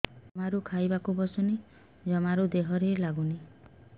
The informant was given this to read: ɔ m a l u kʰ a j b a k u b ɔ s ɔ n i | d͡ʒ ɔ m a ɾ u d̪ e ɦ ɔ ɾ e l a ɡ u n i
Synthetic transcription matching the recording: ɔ m a ɾ u kʰ a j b a k u b ɔ s ɔ n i | d͡ʒ ɔ m a ɾ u d̪ e ɦ ɔ ɾ e l a ɡ u n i